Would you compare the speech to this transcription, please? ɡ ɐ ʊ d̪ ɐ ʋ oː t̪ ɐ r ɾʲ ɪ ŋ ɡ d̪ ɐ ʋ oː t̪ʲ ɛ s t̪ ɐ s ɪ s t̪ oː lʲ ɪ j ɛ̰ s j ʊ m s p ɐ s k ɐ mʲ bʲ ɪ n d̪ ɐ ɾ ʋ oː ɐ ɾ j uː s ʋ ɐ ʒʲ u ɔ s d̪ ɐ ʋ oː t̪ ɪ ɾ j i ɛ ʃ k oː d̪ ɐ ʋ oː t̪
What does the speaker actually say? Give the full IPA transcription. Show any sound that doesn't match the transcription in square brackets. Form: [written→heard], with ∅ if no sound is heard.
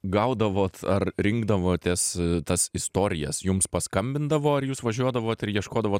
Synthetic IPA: ɡ ɐ ʊ d̪ ɐ ʋ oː t̪ ɐ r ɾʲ ɪ ŋ ɡ d̪ ɐ ʋ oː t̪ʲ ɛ s t̪ ɐ s ɪ s t̪ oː [lʲ→ɾʲ] ɪ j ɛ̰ s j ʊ m s p ɐ s k ɐ mʲ bʲ ɪ n d̪ ɐ [ɾ→∅] ʋ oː ɐ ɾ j uː s ʋ ɐ ʒʲ u ɔ [s→∅] d̪ ɐ ʋ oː t̪ ɪ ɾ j i ɛ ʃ k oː d̪ ɐ ʋ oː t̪